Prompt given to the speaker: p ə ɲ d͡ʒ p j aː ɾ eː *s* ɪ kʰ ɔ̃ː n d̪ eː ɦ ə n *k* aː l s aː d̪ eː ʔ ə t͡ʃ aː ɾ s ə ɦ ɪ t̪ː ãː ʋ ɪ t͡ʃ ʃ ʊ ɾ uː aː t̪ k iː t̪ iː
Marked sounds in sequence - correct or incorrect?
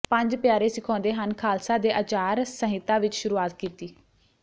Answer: correct, incorrect

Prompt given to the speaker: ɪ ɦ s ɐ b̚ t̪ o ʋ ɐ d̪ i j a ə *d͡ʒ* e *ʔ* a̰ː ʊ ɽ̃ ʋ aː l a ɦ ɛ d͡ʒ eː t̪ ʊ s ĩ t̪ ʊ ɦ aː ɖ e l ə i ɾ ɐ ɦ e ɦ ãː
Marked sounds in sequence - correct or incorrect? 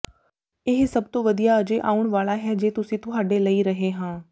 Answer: correct, correct

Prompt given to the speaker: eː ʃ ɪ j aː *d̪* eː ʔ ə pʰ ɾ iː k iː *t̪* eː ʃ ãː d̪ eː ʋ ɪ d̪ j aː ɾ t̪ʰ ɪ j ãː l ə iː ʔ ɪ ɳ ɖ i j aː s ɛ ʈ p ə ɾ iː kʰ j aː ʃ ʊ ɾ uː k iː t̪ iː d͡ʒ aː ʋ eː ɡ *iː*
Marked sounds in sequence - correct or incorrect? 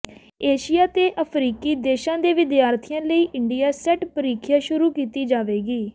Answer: incorrect, incorrect, correct

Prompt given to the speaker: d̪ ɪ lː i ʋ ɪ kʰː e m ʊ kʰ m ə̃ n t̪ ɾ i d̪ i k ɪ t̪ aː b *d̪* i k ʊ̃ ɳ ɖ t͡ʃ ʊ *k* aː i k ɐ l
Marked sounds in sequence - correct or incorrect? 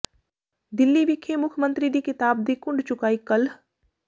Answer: correct, correct

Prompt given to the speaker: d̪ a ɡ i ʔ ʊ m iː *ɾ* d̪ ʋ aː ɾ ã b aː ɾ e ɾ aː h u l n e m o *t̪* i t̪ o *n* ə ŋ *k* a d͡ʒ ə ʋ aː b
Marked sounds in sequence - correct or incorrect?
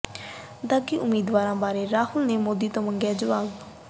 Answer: incorrect, incorrect, incorrect, incorrect

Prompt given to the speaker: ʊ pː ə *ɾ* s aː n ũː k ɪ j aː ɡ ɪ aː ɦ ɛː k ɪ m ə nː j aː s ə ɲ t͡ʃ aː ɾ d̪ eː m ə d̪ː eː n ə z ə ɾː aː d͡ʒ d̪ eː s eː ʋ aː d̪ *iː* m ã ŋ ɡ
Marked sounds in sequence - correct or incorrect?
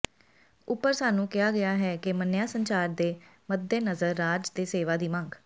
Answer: correct, correct

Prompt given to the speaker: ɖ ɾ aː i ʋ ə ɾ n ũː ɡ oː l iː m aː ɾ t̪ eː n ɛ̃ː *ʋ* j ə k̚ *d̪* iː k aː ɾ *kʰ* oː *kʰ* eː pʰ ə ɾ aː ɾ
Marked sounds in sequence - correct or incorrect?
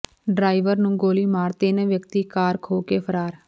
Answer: correct, incorrect, correct, incorrect

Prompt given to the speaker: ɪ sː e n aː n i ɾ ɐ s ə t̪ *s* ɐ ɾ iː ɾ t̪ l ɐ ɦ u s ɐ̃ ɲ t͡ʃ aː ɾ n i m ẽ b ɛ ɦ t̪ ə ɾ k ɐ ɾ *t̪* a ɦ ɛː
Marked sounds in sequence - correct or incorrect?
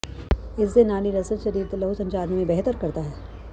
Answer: incorrect, correct

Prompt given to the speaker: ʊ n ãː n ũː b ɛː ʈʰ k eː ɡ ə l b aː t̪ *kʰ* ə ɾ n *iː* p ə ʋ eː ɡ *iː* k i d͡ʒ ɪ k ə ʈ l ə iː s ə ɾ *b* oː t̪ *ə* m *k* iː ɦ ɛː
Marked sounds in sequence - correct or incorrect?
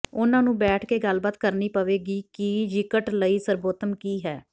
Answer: incorrect, correct, correct, correct, correct, correct

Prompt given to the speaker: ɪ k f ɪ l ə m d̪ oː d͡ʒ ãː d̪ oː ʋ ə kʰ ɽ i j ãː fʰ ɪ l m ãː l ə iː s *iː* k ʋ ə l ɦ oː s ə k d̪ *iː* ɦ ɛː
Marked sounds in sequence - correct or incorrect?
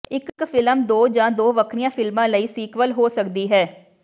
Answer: correct, correct

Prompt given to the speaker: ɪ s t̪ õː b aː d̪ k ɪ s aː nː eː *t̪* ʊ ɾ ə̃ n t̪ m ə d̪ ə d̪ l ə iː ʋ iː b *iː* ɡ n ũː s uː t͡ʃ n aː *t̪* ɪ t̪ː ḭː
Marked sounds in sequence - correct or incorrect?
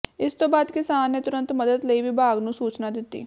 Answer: correct, incorrect, incorrect

